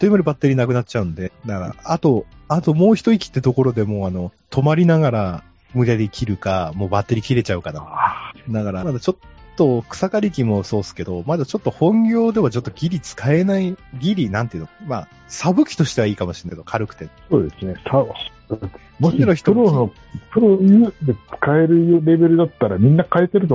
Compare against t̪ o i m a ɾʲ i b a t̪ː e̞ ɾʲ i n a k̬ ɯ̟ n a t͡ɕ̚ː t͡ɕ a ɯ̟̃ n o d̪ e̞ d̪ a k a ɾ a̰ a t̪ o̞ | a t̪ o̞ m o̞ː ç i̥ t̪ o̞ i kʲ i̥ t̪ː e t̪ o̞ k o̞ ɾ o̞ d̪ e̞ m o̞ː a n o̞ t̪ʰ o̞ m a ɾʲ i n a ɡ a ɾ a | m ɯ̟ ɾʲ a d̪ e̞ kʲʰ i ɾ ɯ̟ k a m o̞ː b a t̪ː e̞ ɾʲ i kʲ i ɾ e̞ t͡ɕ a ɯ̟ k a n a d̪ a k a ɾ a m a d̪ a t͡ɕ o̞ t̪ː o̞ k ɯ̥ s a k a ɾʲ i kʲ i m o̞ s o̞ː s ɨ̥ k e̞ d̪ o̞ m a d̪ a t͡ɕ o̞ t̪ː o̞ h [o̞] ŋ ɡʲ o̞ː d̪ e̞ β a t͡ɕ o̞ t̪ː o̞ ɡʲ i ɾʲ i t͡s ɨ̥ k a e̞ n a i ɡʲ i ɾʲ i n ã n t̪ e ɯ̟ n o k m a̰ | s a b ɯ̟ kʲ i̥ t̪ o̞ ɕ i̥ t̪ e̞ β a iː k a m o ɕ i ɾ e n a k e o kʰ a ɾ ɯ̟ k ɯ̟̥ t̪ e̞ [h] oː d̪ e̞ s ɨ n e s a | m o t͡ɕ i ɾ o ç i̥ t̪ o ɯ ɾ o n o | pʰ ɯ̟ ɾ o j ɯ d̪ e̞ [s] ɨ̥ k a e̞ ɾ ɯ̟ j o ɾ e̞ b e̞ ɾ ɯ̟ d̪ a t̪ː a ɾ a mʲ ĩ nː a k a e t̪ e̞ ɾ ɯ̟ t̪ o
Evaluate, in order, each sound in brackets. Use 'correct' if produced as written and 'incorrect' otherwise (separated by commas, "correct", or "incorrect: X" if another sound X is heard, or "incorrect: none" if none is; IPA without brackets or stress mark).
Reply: incorrect: õ̞, incorrect: s, incorrect: t͡s